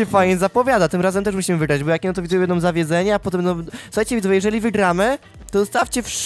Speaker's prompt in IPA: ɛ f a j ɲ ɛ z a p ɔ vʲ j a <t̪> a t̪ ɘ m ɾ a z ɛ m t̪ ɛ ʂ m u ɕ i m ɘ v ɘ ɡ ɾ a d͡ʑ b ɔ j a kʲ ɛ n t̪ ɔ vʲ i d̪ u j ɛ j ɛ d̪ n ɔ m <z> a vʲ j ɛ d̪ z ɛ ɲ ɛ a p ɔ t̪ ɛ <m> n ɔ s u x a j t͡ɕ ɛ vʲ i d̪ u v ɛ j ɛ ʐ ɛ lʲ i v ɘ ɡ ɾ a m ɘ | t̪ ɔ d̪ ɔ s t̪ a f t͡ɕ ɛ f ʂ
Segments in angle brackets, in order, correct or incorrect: incorrect, correct, correct

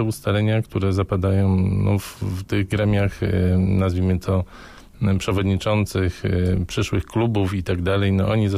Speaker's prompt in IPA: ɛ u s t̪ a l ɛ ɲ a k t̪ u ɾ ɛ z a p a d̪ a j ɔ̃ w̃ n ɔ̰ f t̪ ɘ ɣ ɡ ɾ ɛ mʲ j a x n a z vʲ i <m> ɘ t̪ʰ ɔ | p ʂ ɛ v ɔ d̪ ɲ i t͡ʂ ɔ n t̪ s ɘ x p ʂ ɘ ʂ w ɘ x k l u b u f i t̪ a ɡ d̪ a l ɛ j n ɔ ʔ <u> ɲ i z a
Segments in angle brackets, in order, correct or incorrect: correct, incorrect

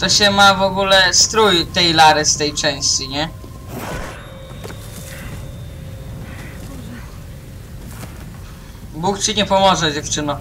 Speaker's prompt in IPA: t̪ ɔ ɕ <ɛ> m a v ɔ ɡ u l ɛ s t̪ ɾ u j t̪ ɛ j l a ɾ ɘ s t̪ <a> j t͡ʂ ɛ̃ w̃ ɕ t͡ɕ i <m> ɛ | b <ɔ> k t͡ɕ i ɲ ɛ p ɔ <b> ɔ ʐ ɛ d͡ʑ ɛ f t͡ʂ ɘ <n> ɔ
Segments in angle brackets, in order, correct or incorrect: correct, incorrect, incorrect, incorrect, incorrect, correct

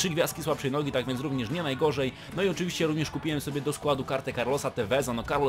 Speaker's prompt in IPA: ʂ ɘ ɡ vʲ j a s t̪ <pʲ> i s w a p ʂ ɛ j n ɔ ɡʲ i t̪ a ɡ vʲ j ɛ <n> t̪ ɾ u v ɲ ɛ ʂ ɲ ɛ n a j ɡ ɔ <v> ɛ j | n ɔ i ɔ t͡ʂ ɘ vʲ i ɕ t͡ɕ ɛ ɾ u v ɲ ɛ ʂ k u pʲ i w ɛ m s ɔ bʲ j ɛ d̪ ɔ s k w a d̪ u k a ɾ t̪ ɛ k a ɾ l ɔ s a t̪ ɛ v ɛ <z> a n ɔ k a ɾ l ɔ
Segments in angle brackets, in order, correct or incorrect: incorrect, correct, incorrect, correct

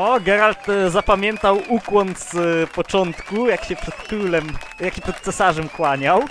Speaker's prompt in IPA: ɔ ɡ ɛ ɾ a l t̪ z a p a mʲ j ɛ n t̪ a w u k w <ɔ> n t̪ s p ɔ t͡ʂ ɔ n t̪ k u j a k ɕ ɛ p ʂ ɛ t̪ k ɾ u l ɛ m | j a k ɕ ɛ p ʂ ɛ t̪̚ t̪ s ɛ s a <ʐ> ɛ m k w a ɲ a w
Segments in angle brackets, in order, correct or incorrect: correct, correct

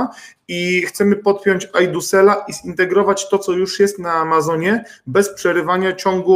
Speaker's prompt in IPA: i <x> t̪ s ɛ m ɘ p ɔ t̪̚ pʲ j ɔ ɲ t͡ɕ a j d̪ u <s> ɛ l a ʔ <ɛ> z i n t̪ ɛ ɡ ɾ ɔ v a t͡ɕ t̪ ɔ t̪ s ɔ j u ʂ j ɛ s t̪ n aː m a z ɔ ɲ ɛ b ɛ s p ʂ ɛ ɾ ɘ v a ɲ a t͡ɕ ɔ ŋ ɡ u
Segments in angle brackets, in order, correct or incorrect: correct, correct, incorrect

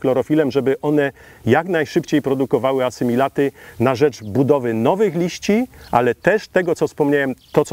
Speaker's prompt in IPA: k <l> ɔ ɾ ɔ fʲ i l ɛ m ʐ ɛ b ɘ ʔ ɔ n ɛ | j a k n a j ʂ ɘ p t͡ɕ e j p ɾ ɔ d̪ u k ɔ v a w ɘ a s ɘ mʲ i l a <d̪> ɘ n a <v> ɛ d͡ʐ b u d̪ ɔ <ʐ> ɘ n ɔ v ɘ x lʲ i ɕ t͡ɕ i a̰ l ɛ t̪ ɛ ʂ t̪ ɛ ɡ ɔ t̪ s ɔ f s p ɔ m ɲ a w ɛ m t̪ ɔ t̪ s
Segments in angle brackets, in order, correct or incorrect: correct, incorrect, incorrect, incorrect

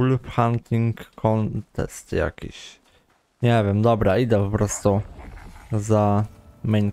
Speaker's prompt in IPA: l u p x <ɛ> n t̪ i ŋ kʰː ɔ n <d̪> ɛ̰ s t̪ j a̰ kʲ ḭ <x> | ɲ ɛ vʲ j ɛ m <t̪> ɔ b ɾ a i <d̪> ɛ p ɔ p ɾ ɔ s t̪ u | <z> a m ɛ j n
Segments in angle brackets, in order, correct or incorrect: incorrect, incorrect, incorrect, incorrect, correct, correct

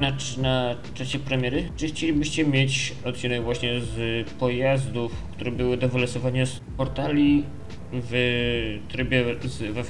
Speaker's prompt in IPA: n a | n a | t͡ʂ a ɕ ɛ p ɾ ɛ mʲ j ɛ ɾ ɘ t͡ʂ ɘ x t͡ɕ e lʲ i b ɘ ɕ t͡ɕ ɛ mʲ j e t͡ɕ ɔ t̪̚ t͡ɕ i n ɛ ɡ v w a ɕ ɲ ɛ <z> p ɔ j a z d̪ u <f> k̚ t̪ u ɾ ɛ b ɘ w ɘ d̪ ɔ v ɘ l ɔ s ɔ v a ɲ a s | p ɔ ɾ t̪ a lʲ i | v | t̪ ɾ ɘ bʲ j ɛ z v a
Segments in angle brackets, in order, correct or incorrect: correct, correct

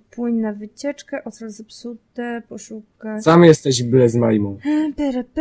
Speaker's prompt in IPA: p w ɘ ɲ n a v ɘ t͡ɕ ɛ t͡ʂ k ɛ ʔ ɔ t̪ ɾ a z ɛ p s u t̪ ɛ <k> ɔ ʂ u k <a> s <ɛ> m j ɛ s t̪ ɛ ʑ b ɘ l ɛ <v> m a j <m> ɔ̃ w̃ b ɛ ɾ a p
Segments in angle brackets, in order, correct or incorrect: incorrect, correct, incorrect, incorrect, correct

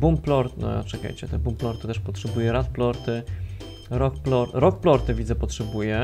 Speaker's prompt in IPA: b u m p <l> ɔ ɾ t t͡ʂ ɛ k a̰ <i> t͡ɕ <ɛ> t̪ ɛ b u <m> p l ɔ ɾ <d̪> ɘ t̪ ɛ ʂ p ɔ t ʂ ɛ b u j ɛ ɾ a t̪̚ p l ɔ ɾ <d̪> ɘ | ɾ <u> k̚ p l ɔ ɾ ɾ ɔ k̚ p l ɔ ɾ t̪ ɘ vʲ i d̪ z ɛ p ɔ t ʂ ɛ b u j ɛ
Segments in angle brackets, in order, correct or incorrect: correct, incorrect, correct, correct, incorrect, incorrect, incorrect

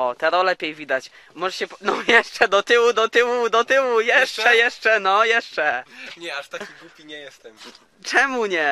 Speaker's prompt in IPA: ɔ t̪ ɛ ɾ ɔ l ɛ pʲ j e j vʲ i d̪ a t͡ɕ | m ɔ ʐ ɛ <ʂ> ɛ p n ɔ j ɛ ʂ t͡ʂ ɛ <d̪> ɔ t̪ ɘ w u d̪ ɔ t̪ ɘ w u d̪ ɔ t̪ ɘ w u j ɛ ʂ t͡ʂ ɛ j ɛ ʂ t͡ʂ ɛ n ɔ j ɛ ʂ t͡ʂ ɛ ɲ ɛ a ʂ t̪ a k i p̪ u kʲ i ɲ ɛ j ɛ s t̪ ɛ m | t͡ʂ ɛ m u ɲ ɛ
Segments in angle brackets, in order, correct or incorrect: incorrect, correct

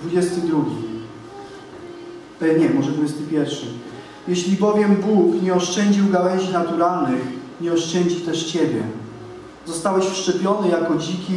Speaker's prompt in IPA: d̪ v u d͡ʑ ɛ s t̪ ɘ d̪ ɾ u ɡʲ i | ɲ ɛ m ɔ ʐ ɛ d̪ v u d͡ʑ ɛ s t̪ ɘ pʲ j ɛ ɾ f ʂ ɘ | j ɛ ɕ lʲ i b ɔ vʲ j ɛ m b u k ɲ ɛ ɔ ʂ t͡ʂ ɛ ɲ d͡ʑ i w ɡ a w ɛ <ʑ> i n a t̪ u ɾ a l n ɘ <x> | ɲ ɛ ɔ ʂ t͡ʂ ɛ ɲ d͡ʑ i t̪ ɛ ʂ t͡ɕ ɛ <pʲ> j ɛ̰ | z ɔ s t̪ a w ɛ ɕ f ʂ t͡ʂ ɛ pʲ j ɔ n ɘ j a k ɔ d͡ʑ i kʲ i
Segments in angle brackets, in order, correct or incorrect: correct, correct, incorrect

